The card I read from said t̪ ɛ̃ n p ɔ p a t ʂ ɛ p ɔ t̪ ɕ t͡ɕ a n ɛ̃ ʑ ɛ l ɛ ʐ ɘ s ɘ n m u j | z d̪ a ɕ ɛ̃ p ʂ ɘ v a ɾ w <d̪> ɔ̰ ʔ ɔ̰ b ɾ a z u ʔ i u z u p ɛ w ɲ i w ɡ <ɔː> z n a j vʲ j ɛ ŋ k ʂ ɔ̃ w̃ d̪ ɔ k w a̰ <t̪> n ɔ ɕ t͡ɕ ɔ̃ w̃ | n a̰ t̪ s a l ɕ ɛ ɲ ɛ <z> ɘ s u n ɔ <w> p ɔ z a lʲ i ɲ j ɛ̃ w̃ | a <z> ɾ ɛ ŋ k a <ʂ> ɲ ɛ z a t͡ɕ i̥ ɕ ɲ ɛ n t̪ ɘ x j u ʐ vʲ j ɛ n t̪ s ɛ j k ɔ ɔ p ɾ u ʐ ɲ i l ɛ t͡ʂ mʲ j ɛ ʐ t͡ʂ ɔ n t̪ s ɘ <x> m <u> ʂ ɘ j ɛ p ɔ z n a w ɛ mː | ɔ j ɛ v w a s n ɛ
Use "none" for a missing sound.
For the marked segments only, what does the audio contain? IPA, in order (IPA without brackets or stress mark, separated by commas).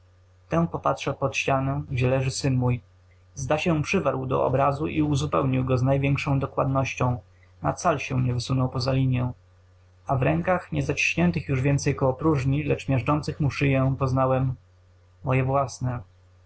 d̪, ɔ, d̪, v, w, v, x, x, u